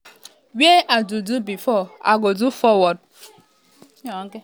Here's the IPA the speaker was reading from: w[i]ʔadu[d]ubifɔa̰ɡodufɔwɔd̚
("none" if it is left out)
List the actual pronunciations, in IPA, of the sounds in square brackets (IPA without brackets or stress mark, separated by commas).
e, d